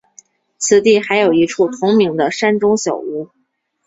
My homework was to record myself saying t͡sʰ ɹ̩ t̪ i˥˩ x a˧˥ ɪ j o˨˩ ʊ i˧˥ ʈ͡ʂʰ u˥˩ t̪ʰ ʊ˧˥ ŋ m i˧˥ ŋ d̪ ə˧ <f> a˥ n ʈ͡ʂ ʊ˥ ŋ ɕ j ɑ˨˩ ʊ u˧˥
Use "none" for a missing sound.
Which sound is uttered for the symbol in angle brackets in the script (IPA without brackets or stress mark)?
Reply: ʂ